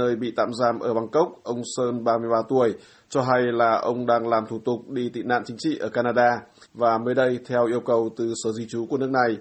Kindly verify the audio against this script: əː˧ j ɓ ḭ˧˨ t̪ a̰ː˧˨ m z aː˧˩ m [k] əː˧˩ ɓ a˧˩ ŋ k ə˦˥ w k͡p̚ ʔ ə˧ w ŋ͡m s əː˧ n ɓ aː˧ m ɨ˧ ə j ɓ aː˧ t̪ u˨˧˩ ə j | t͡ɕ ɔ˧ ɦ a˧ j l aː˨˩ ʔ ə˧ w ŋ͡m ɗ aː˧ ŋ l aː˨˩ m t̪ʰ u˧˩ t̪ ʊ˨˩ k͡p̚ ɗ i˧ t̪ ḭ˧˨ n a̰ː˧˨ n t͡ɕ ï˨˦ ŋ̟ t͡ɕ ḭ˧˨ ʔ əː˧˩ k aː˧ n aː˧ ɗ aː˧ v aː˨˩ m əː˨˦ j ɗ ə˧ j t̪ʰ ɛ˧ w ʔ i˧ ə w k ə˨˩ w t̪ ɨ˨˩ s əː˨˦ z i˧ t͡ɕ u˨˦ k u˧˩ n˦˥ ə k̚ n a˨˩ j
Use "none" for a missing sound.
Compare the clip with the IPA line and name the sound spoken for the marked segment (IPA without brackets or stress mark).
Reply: ʔ